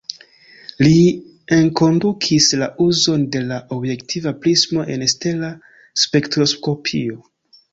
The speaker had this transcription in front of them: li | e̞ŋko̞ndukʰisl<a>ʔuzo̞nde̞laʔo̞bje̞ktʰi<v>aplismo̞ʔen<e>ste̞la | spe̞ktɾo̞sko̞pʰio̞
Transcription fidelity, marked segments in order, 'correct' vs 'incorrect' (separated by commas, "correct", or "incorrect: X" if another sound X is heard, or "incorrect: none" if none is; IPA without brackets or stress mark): correct, correct, correct